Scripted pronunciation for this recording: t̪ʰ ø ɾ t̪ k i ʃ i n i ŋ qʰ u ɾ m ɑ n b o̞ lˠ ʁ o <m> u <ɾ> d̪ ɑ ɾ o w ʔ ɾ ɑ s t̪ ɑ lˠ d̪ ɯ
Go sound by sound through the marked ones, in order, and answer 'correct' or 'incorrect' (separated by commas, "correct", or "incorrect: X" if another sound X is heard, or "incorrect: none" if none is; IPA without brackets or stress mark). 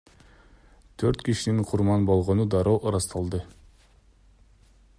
incorrect: n, incorrect: none